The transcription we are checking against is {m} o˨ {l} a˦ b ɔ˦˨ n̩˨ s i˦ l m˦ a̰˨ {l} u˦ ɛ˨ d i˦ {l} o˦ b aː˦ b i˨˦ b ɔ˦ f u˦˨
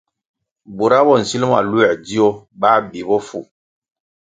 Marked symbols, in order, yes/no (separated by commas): no, no, yes, no